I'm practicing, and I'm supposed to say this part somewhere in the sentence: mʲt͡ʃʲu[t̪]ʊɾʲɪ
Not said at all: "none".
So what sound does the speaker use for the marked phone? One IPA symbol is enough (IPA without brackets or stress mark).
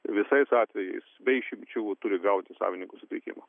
t̪